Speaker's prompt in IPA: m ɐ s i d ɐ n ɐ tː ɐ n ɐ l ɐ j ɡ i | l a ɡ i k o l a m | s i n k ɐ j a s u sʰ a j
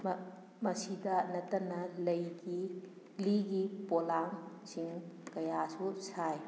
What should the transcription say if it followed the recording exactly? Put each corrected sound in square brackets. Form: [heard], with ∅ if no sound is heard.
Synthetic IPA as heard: m ɐ s i d ɐ n ɐ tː ɐ n ɐ l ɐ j ɡ i | l [i] ɡ i [p] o l a [ŋ] | s i [ŋ] k ɐ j a s u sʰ a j